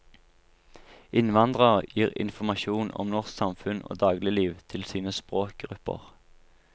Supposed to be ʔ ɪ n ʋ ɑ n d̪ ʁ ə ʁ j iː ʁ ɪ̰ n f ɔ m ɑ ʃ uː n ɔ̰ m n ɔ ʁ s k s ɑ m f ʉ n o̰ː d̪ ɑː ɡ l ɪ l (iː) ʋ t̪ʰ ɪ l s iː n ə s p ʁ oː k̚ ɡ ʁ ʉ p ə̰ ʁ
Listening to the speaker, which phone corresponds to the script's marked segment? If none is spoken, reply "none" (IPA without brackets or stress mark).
iː